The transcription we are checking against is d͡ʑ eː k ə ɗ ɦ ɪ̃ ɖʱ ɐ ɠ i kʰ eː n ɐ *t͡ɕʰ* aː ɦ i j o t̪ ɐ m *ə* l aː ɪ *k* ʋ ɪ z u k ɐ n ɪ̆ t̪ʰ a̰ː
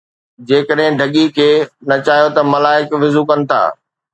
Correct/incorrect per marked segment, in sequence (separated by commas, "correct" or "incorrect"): incorrect, incorrect, correct